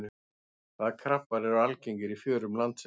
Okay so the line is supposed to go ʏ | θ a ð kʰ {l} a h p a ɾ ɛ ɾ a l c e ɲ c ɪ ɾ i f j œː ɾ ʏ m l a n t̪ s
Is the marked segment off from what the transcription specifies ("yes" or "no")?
yes